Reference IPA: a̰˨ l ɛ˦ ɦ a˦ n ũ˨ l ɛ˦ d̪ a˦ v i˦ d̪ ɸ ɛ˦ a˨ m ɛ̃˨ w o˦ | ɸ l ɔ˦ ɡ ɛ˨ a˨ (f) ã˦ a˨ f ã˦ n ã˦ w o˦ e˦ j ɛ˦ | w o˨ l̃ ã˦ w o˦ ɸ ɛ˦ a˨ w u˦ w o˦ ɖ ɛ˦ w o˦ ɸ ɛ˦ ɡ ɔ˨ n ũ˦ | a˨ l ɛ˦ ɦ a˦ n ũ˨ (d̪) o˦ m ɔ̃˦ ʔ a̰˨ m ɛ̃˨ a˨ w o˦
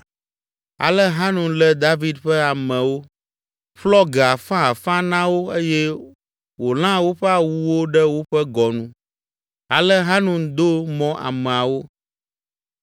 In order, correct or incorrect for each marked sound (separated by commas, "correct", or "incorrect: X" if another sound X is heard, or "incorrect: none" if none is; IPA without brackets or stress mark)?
correct, correct